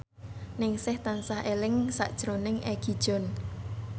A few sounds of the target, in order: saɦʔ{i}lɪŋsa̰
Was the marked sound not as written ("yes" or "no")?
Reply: yes